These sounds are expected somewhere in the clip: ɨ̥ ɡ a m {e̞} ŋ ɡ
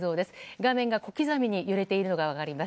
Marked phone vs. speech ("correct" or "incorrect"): incorrect